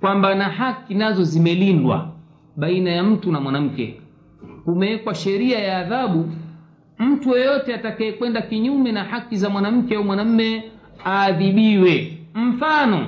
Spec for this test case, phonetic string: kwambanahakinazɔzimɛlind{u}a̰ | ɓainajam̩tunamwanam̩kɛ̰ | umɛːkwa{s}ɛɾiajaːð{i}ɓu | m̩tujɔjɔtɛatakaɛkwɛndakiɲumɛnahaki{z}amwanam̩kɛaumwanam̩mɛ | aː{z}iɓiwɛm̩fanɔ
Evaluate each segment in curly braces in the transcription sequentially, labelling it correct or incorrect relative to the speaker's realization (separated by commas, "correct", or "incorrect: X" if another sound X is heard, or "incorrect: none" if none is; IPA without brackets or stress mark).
incorrect: w, incorrect: ʃ, incorrect: a, correct, incorrect: ð